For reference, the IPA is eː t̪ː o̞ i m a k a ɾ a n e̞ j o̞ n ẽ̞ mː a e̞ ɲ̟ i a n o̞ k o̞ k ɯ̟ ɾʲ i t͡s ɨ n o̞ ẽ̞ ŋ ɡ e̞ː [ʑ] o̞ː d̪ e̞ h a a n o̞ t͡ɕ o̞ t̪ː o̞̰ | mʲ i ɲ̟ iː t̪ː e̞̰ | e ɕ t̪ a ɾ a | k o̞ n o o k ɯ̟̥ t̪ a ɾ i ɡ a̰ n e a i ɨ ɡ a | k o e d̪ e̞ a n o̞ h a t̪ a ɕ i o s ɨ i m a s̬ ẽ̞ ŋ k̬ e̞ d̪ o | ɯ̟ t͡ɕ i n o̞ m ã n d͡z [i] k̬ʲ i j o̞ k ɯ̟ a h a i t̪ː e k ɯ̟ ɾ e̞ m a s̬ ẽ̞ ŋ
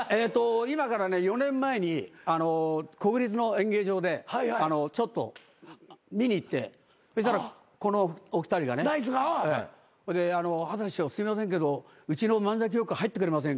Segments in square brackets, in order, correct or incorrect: correct, incorrect: a

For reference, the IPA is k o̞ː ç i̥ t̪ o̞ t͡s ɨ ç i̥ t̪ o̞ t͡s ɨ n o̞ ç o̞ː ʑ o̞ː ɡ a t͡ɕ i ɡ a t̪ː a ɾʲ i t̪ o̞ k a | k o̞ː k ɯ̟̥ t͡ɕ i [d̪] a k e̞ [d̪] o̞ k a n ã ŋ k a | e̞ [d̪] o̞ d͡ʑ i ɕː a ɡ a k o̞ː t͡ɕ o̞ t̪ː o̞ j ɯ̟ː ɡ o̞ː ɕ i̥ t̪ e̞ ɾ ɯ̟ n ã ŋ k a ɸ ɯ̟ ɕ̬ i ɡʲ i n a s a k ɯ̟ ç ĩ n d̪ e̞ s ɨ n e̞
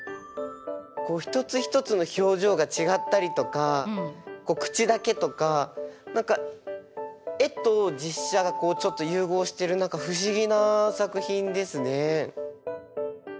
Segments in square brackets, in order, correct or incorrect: correct, incorrect: t̪, incorrect: t̪

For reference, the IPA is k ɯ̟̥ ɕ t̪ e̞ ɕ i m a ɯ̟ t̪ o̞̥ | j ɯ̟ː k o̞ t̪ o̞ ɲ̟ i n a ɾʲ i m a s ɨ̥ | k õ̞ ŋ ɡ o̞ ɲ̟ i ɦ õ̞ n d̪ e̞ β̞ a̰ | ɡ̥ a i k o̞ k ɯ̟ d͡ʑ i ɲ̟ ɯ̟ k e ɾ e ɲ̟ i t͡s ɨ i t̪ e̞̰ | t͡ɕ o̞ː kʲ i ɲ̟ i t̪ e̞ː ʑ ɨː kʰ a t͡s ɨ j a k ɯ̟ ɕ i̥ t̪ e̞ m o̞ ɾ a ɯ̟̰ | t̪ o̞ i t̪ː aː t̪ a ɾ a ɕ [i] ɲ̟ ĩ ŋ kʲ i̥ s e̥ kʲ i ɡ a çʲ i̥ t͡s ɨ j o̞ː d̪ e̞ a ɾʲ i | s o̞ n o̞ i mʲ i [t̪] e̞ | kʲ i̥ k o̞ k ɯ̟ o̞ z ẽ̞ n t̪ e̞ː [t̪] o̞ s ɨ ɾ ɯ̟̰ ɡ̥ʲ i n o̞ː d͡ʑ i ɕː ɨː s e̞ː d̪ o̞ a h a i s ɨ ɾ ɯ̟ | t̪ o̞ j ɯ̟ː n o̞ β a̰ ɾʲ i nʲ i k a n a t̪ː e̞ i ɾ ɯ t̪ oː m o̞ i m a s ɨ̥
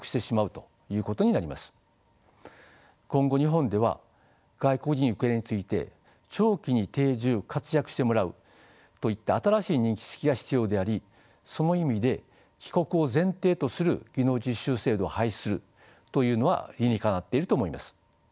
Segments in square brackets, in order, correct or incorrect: incorrect: iː, incorrect: d̪, correct

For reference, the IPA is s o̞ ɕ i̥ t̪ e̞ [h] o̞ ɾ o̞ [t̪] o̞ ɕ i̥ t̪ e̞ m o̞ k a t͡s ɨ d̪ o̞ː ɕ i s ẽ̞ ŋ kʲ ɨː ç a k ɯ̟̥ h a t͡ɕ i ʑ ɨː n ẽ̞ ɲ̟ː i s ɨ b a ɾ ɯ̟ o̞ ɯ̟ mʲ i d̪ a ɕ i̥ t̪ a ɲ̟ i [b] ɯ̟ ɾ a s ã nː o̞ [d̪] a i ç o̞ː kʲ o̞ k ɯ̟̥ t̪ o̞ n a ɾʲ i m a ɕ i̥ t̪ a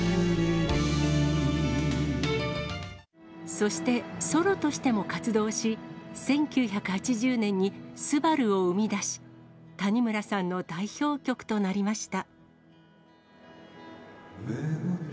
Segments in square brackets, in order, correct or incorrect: incorrect: s, correct, incorrect: m, correct

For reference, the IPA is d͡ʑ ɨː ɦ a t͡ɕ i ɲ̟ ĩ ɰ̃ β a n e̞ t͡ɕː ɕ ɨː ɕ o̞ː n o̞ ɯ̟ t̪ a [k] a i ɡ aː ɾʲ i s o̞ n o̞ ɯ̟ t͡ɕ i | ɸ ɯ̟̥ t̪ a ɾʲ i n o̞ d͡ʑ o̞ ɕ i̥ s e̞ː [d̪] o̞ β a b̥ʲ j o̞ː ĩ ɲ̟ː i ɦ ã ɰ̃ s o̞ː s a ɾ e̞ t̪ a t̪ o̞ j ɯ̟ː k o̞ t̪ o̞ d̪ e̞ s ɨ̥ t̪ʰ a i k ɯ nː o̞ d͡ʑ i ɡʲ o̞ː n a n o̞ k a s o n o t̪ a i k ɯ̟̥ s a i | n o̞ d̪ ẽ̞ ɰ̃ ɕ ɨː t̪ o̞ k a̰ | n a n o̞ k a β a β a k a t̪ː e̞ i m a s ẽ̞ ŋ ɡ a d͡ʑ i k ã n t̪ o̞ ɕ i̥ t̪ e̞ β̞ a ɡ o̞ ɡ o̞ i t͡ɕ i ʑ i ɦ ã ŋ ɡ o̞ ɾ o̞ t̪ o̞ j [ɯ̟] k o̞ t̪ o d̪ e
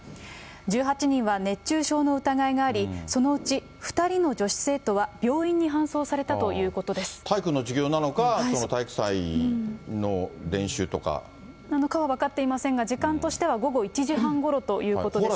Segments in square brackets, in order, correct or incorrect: incorrect: ɡ, incorrect: t̪, incorrect: ɯ̟ː

